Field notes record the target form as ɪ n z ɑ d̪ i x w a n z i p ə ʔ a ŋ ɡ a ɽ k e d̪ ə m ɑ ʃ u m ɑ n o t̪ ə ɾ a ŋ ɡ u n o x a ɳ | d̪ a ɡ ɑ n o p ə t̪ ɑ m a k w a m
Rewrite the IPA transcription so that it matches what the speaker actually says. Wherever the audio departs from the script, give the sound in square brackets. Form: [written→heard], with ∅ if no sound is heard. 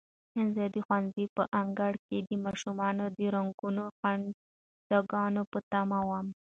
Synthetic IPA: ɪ n z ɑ d̪ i x w a n z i p ə ʔ a ŋ ɡ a ɽ k e d̪ ə m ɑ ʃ u m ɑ n o [t̪→d̪] ə ɾ a ŋ ɡ u n o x a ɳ | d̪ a ɡ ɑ n o p ə t̪ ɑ m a [k→∅] w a m